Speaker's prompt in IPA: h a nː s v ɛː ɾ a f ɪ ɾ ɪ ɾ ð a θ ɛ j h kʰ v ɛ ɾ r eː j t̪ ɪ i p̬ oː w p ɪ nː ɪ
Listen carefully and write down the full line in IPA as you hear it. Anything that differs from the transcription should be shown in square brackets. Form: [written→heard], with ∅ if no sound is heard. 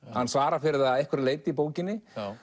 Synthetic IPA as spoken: h a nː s v [ɛː→aː] ɾ a f ɪ ɾ ɪ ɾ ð a [θ→ð] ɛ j h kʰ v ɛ ɾ [r→l] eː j t̪ ɪ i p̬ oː w [p→c] ɪ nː ɪ